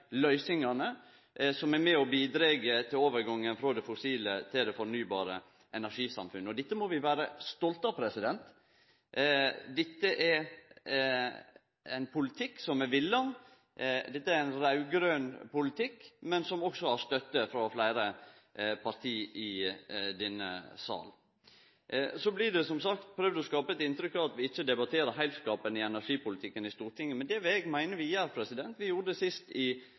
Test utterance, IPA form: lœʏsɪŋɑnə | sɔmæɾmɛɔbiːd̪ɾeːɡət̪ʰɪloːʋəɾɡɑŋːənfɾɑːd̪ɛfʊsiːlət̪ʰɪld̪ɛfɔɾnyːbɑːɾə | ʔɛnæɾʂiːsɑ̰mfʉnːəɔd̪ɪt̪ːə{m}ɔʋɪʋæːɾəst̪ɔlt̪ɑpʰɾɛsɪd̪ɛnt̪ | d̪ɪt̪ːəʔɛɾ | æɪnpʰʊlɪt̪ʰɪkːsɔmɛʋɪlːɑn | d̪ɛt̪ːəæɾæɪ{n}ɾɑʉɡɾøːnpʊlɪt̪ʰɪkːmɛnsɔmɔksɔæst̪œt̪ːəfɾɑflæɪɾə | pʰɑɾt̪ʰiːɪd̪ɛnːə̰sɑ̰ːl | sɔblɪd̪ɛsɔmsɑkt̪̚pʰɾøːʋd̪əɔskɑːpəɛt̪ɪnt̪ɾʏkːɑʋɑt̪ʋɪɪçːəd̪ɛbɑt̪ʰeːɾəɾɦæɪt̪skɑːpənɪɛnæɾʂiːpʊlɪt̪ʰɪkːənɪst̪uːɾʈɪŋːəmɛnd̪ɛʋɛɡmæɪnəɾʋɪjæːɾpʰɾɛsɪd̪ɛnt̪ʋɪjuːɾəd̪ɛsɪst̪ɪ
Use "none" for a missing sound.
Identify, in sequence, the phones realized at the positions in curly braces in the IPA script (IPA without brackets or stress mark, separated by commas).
m, n